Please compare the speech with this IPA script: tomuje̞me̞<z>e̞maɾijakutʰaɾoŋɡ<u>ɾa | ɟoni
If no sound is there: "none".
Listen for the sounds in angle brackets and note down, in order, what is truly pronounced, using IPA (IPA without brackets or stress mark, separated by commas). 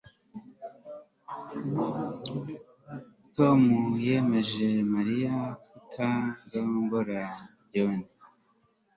ʒ, o